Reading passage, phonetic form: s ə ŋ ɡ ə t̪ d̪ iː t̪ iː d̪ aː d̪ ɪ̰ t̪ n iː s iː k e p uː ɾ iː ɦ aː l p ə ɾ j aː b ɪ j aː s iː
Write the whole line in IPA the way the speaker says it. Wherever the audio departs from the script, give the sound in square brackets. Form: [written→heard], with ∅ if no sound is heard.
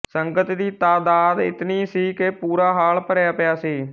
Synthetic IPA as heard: s ə ŋ ɡ ə t̪ d̪ iː t̪ [iː→aː] d̪ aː d̪ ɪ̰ t̪ n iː s iː k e p uː ɾ [iː→aː] ɦ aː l p ə ɾ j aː [b→p] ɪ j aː s iː